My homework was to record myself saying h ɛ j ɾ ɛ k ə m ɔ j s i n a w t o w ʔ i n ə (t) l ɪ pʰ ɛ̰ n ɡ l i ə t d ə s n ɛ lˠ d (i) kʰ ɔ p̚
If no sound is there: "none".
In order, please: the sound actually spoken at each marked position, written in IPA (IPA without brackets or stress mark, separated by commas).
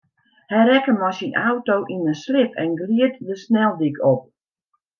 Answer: s, i